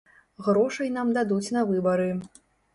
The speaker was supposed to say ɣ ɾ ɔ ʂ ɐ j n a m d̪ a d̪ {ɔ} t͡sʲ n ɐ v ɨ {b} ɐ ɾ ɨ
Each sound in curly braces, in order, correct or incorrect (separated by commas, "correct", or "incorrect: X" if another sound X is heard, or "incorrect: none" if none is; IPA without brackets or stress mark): incorrect: u, correct